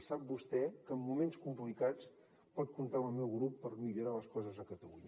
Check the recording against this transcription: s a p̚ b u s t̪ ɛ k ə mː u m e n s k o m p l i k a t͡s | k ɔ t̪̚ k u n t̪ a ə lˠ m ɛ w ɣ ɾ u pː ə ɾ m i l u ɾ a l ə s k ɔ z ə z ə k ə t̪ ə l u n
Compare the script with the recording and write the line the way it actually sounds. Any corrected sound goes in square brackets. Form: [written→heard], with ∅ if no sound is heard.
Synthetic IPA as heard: s a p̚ b u s t̪ ɛ k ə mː u m e n s k [o→u] m p l i k a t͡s | [k→p] ɔ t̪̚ k u n t̪ a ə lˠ m ɛ w ɣ ɾ u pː ə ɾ m i [l→ʎ] u ɾ a l ə s k ɔ z ə z ə k ə t̪ ə l u [n→ɲ]

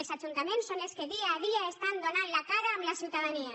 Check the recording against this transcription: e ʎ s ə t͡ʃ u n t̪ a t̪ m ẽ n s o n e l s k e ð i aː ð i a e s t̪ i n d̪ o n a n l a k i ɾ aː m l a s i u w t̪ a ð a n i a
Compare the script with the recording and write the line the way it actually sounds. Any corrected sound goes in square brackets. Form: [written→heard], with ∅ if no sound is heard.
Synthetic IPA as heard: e [ʎ→l] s [ə→a] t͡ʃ u n t̪ a [t̪→∅] m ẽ n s o n e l s k e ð i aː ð i a e s t̪ [i→a] n d̪ o n a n l a k [i→a] ɾ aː m l a s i u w t̪ a ð a n i a

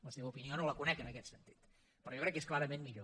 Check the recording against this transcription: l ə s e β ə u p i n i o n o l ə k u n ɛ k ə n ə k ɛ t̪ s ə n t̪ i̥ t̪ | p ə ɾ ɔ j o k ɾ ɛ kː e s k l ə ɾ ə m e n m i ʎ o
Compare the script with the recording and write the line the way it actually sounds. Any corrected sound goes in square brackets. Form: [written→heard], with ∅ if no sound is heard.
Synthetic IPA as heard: l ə s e β ə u p i n i o n o l ə k u n ɛ k ə n ə k ɛ t̪ s ə n t̪ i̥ t̪ | p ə ɾ ɔ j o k ɾ ɛ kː e s k l [ə→a] ɾ ə m e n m i ʎ o

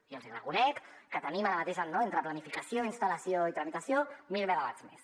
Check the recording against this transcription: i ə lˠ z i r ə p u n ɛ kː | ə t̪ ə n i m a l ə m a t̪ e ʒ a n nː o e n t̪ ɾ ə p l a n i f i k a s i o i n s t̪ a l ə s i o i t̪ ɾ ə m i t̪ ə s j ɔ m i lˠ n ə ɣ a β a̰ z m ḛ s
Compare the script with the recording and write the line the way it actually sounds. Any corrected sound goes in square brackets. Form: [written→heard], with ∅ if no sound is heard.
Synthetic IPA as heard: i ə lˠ z i r ə [p→k] u n ɛ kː | ə t̪ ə n i m a [l→ɾ] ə m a t̪ e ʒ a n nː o e n t̪ ɾ ə p l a n i f i k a s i o i n s t̪ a l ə s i o i t̪ ɾ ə m i t̪ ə s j [ɔ→o] m i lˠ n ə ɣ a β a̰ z m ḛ s

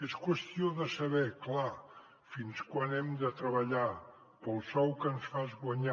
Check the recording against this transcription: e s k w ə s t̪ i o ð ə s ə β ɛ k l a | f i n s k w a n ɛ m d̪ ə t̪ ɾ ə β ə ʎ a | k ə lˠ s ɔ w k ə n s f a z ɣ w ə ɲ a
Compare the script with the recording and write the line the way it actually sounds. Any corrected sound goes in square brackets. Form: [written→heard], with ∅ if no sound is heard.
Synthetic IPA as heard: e s k w ə s t̪ i o ð ə s ə β ɛ k l a | f i n s k w a n ɛ m d̪ ə t̪ ɾ ə β ə ʎ a | [k→p] ə lˠ s ɔ w k ə n s f a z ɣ w ə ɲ a

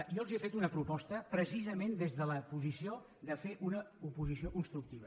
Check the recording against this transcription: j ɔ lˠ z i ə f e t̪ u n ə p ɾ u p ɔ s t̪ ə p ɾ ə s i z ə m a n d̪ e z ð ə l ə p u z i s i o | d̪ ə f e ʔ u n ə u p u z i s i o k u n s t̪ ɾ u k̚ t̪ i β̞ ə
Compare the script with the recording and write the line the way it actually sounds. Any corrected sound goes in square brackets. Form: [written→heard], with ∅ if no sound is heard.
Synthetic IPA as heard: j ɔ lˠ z i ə f e t̪ u n ə p ɾ u p ɔ s t̪ ə p ɾ ə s i z ə m [a→e] n d̪ e z ð ə l ə p u z i s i o | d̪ ə f e ʔ u n ə u p u z i s i o k u n s t̪ ɾ u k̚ t̪ i β̞ ə

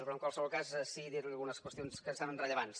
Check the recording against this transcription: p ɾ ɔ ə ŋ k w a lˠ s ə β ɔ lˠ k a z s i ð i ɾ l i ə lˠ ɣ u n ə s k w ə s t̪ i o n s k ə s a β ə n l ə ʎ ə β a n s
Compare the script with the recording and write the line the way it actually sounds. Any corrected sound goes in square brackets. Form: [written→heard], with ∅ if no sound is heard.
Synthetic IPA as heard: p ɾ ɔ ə ŋ k w a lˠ s ə β ɔ lˠ k a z s i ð i ɾ l i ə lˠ ɣ u n ə s k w ə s t̪ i o n s k ə s a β ə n [l→r] ə ʎ ə β a n s

